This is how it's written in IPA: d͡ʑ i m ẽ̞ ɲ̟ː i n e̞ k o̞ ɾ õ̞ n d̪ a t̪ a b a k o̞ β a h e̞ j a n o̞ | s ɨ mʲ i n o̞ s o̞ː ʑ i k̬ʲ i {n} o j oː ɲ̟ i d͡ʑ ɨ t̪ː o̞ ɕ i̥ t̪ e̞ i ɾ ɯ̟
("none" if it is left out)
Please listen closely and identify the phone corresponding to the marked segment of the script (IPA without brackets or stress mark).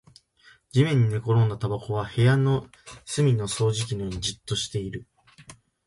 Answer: n